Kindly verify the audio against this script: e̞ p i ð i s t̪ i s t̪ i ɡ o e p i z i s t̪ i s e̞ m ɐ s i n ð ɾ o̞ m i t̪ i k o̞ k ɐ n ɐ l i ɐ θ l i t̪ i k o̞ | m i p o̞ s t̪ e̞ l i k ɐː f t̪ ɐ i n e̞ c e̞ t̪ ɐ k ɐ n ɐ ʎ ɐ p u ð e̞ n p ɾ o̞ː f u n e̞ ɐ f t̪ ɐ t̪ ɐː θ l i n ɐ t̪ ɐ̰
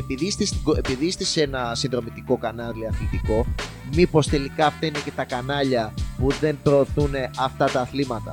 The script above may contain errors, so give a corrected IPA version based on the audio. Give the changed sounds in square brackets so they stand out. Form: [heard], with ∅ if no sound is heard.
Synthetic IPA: e̞ p i ð i s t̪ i s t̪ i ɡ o e p i [ð] i s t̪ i s e̞ [n] ɐ s i n ð ɾ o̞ m i t̪ i k o̞ k ɐ n ɐ l i ɐ θ l i t̪ i k o̞ | m i p o̞ s t̪ e̞ l i k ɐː f t̪ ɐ i n e̞ c e̞ t̪ ɐ k ɐ n ɐ ʎ ɐ p u ð e̞ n p ɾ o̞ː [θ] u n e̞ ɐ f t̪ ɐ t̪ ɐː θ l i [m] ɐ t̪ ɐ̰